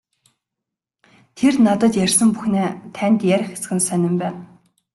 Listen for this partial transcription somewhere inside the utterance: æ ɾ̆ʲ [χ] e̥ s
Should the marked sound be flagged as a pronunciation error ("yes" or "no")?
yes